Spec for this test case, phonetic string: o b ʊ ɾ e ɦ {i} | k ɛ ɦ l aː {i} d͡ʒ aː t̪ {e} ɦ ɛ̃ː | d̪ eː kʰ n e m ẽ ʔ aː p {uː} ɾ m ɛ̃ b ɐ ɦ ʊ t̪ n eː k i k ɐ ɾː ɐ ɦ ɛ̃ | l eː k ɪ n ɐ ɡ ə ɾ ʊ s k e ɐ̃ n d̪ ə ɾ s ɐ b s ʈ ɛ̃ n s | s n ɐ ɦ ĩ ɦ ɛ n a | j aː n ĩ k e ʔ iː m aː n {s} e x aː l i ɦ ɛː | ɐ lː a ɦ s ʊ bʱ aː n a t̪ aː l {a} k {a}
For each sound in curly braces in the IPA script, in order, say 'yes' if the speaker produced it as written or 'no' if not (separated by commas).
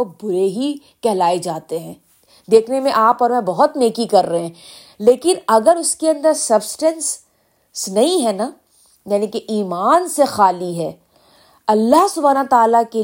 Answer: yes, no, yes, no, yes, yes, no